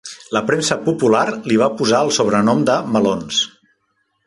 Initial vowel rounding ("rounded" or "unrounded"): unrounded